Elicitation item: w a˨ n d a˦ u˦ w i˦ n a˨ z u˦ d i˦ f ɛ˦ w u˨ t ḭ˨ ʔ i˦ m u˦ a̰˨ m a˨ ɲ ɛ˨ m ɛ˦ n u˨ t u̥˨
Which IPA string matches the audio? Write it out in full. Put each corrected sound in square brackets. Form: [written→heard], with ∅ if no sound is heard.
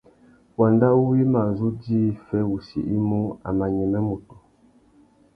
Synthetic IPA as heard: w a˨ n d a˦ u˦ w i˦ [n→m] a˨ z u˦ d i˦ f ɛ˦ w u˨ [t→s] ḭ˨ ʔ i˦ m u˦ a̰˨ m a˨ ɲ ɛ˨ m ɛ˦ [n→m] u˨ t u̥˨